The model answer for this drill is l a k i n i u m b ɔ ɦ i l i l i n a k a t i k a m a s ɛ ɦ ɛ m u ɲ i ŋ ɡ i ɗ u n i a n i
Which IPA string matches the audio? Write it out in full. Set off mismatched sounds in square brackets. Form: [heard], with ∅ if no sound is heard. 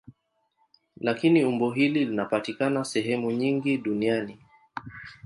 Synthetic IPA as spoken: l a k i n i u m b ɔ ɦ i l i l i n a [p] a t i k a [n] a s ɛ ɦ ɛ m u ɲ i ŋ ɡ i ɗ u n i a n i

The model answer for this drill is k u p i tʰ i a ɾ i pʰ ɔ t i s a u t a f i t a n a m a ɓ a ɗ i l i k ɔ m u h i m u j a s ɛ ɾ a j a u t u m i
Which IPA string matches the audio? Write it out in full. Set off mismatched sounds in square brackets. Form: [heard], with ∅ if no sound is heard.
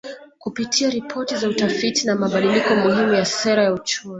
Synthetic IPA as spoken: k u p i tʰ i a ɾ i pʰ ɔ t i [z] a u t a f i t [i] n a m a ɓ a ɗ i l i k ɔ m u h i m u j a s ɛ ɾ a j a u [t͡ʃ] u m i

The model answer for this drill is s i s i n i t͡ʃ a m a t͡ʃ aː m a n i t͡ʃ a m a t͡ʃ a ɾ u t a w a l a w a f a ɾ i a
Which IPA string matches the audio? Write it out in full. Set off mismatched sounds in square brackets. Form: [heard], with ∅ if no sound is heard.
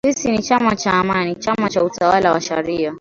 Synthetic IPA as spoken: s i s i n i t͡ʃ a m a t͡ʃ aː m a n i t͡ʃ a m a t͡ʃ a [∅] u t a w a l a w a [ʃ] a ɾ i a

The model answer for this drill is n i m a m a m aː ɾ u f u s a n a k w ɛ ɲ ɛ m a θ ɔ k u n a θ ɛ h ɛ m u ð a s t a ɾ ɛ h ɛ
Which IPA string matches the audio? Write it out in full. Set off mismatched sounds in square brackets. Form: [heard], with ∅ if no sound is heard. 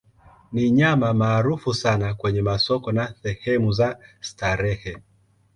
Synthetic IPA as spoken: n i [ɲ] a m a m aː ɾ u f u s a n a k w ɛ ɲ ɛ m a [s] ɔ k [ɔ] n a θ ɛ h ɛ m u [z] a s t a ɾ ɛ h ɛ

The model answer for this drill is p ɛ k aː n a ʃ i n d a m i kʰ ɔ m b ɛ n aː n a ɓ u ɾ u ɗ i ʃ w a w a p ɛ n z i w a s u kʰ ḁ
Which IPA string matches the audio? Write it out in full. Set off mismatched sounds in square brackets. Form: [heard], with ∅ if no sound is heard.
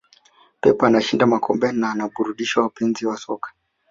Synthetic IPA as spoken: p ɛ [p] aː n a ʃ i n d a m [a] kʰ ɔ m b ɛ n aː n a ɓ u ɾ u ɗ i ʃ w a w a p ɛ n z i w a s [ɔ] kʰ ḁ

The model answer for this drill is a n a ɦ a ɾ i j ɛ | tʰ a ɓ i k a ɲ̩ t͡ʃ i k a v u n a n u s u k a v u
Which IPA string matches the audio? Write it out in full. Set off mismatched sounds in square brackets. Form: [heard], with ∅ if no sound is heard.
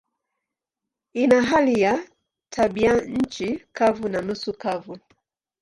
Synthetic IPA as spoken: [i] n a ɦ a [l] i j [a] | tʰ a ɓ i [∅] a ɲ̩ t͡ʃ i k a v u n a n u s u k a v u

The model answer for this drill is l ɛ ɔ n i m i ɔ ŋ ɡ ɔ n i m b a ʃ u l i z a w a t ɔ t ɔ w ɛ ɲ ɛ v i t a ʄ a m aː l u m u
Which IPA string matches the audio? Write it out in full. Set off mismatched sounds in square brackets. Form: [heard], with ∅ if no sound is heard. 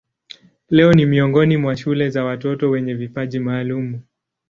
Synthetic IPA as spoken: l ɛ ɔ n i m i ɔ ŋ ɡ ɔ n i m [w] a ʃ u l [ɛ] z a w a t ɔ t ɔ w ɛ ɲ ɛ v i [p] a ʄ [i] m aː l u m u

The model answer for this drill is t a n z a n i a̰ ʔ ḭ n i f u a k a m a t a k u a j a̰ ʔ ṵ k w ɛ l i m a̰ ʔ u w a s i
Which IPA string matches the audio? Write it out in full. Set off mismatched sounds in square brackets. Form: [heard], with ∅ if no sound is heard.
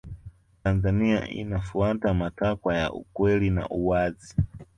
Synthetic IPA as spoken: t a n z a n i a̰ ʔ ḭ n [a] f u a [t] a m a t a k [w] a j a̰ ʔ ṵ k w ɛ l i [n] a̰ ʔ u w a [z] i

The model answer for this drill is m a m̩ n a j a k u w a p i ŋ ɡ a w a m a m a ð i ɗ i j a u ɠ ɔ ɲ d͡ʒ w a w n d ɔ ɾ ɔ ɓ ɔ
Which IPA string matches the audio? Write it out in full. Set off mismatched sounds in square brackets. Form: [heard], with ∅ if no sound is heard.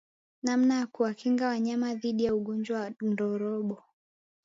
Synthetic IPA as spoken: [n] a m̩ n a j a k u w a [k] i ŋ ɡ a w a [ɲ] a m a ð i ɗ i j a u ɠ ɔ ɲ d͡ʒ w a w n d ɔ ɾ ɔ ɓ ɔ

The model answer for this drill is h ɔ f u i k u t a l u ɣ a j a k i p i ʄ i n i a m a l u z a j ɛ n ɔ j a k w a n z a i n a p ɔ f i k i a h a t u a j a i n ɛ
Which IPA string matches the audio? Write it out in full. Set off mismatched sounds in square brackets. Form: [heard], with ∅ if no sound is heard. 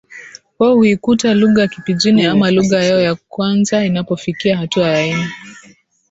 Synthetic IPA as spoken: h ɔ [h] u i k u t a l u ɣ a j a k i p i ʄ i n i a m a l u [ɣ] a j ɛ [∅] ɔ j a k w a n z a i n a p ɔ f i k i a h a t u a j a i n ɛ

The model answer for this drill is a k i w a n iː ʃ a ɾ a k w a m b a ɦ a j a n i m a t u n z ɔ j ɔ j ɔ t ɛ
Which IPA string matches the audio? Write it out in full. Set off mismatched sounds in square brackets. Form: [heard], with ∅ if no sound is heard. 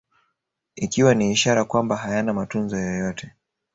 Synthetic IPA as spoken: [i] k i w a n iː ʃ a ɾ a k w a m b a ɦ a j a n [a] m a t u n z ɔ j ɔ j ɔ t ɛ

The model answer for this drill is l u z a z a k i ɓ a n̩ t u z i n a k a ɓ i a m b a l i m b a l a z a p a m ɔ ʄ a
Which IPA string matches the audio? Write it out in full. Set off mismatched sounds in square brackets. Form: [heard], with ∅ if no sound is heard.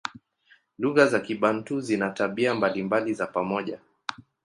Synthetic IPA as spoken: l u [ɣ] a z a k i ɓ a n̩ t u z i n a [t] a ɓ i a m b a l i m b a l [i] z a p a m ɔ ʄ a

